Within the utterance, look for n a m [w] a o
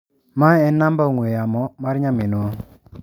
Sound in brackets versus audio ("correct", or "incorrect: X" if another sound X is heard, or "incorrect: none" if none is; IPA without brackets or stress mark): incorrect: b